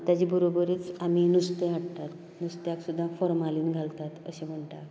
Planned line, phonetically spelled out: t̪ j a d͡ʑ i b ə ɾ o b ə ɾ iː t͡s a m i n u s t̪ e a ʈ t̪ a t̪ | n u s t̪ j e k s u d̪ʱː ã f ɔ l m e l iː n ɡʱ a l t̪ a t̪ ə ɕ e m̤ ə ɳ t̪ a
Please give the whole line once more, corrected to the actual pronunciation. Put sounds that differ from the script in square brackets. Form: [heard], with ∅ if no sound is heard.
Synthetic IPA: t̪ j a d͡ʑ i b ə ɾ o b ə ɾ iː t͡s a m i n u s t̪ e a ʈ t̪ a t̪ | n u s t̪ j [a] k s u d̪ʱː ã f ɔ [ɾ] m [a] l iː n ɡʱ a l t̪ a t̪ ə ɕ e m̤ ə ɳ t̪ a